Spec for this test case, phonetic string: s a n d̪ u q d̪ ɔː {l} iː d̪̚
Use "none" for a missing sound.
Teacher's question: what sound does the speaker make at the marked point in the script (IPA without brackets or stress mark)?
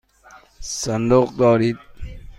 ɾ